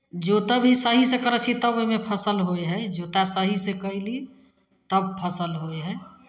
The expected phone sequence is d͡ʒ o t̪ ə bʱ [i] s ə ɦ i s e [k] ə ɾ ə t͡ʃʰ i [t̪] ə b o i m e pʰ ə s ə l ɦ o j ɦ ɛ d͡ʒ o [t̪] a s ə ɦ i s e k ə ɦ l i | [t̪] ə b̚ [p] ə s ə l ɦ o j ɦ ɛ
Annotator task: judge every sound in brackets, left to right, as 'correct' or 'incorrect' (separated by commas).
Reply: correct, correct, correct, correct, correct, incorrect